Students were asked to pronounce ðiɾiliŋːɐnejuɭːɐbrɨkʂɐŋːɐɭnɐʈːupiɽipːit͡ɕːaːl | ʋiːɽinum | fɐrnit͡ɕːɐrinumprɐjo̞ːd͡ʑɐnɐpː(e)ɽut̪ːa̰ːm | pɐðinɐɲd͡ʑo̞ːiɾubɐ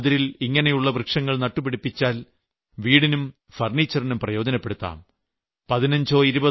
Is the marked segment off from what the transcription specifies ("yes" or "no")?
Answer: no